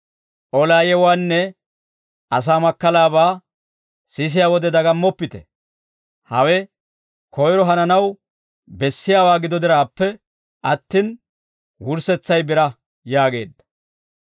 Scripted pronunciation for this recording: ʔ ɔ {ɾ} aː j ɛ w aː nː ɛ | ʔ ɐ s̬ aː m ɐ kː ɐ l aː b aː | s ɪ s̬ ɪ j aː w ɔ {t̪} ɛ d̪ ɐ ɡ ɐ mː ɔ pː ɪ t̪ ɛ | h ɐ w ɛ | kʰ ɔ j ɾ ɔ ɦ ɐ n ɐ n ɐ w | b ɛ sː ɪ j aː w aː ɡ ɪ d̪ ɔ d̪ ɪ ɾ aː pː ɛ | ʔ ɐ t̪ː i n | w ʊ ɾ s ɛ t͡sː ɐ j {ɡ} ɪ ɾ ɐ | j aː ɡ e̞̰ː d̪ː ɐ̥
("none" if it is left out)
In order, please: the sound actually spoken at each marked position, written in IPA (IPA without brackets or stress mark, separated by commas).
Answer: l, d̪, b